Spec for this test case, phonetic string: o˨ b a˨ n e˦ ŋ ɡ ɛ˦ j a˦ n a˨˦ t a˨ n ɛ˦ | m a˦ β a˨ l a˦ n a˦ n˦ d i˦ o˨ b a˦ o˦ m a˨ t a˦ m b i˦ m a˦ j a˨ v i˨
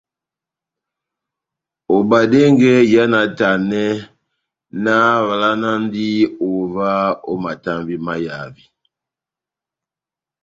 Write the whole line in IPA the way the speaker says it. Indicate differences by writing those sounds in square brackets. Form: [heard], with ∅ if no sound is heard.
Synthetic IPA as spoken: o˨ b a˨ [d] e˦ ŋ ɡ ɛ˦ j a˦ n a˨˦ t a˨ n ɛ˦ | [n] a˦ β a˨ l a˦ n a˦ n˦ d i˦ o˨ [v] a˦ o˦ m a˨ t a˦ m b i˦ m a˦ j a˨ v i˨